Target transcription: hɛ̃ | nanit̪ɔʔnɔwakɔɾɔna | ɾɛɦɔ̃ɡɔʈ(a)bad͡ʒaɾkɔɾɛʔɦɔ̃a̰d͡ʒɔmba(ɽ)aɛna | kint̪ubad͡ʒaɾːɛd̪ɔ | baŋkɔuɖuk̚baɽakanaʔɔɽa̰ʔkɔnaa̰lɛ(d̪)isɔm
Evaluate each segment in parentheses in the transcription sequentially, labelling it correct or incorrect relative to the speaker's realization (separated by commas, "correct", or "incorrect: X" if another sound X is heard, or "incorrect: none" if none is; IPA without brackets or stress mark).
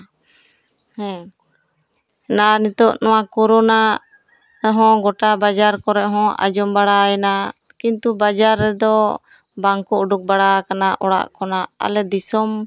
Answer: correct, correct, correct